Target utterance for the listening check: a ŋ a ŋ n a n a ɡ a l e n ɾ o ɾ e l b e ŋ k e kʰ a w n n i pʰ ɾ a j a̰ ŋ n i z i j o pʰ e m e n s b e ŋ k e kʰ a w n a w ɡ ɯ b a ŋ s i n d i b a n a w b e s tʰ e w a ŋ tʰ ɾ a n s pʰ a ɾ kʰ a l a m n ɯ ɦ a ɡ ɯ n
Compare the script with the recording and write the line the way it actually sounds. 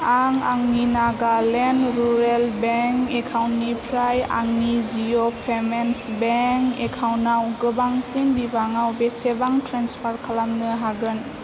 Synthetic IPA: a ŋ a ŋ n i n a ɡ a l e n ɾ u ɾ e l b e ŋ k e kʰ a w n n i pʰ ɾ a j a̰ ŋ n i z i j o pʰ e m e n s b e ŋ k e kʰ a w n a w ɡ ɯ b a ŋ s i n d i b a ŋ a w b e s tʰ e b a ŋ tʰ ɾ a n s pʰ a ɾ kʰ a l a m n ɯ ɦ a ɡ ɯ n